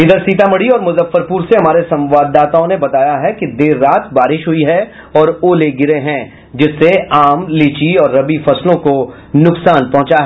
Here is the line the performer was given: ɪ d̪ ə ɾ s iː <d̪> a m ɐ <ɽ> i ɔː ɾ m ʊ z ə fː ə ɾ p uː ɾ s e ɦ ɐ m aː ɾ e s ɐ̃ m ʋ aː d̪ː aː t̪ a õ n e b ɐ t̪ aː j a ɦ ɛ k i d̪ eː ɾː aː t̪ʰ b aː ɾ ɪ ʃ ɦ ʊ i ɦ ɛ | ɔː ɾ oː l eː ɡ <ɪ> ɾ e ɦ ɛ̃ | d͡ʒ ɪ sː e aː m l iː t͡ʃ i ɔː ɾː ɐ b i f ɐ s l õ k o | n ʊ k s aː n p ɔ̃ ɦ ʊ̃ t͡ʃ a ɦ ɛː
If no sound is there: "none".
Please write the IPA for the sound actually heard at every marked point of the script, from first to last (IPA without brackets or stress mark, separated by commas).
t̪, ɽ, ɪ